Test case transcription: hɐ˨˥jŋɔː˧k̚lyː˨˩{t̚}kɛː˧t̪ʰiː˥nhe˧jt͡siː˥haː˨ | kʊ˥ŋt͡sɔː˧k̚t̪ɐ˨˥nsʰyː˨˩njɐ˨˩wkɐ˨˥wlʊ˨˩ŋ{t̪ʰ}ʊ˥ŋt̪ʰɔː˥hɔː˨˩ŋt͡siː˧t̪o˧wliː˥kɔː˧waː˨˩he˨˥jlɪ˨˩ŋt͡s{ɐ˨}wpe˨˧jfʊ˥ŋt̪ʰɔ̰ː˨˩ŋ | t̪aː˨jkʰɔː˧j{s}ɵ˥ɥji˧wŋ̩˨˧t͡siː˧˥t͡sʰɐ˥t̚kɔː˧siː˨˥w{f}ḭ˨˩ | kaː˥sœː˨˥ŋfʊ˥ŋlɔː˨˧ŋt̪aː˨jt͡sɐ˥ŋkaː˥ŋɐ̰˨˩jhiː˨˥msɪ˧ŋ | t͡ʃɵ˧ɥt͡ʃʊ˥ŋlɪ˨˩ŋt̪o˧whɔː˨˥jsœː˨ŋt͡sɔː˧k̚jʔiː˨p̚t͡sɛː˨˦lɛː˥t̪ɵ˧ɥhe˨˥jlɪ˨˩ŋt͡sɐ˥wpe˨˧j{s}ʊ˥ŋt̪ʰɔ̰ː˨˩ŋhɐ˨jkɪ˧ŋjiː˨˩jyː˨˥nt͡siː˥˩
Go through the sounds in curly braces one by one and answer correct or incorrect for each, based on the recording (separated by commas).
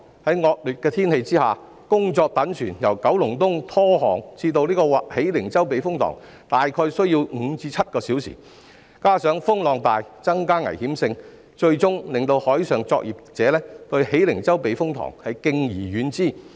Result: correct, incorrect, incorrect, correct, incorrect, incorrect